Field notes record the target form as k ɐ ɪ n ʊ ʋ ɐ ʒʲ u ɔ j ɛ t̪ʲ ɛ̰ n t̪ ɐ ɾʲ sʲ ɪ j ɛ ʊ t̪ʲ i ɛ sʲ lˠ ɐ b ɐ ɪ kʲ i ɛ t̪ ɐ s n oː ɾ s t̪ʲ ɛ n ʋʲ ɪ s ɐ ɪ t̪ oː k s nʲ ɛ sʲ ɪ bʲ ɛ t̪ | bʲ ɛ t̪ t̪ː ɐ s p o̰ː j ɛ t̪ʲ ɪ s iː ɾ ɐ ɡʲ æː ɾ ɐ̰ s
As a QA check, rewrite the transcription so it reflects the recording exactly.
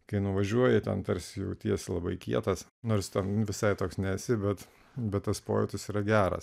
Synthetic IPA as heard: k ɐ ɪ n ʊ ʋ ɐ ʒʲ u ɔ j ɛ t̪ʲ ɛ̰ n t̪ ɐ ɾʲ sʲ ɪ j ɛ ʊ t̪ʲ i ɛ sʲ lˠ ɐ b ɐ ɪ kʲ i ɛ t̪ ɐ s n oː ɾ s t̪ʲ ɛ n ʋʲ ɪ s ɐ ɪ t̪ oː k s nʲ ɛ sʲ ɪ bʲ ɛ t̪ | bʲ ɛ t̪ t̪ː ɐ s p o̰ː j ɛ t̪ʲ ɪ s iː ɾ ɐ ɡʲ æː ɾ ɐ̰ s